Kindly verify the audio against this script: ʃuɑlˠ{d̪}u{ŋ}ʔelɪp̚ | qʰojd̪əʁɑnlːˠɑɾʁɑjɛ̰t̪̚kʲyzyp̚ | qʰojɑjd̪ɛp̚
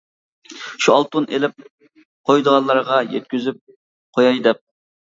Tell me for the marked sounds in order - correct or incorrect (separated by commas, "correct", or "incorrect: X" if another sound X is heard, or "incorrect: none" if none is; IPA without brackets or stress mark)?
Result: incorrect: t̪, incorrect: n